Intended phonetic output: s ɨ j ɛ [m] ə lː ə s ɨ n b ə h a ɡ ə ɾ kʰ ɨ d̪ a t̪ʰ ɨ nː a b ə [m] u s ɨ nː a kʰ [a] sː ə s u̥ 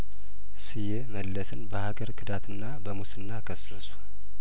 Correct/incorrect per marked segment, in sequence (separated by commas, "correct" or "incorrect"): correct, correct, incorrect